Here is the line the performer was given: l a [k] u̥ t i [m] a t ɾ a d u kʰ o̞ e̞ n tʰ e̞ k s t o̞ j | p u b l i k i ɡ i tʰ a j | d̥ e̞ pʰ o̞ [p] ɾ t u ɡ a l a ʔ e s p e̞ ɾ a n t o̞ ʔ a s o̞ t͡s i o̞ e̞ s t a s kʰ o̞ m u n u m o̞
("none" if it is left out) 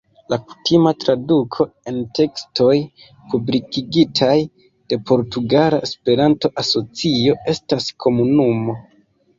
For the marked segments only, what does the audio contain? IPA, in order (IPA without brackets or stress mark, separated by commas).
k, m, none